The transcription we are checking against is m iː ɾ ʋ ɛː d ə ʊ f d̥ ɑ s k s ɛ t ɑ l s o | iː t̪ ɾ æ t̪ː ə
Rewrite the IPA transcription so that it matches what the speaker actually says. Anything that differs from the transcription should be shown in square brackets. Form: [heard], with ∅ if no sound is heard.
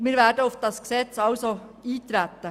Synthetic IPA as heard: m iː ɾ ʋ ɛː d ə ʊ f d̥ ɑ s k s ɛ [t͡s] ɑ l s o | iː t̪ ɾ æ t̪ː ə